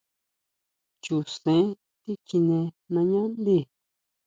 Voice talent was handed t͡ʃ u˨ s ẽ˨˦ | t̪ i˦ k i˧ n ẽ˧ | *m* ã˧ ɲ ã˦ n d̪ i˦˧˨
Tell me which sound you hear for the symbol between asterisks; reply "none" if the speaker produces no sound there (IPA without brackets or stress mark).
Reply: n